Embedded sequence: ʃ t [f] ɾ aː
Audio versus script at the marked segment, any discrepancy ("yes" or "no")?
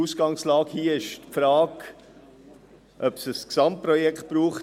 no